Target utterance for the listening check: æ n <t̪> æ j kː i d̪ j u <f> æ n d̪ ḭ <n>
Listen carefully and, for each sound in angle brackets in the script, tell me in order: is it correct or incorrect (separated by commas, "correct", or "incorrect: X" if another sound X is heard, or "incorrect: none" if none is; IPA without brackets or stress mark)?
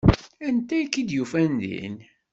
correct, correct, correct